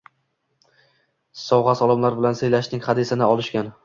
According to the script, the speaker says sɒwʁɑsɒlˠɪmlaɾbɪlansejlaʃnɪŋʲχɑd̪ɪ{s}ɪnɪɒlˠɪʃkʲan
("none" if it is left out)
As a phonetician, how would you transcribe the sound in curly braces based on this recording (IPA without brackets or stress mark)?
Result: s